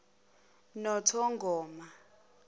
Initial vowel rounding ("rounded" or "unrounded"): rounded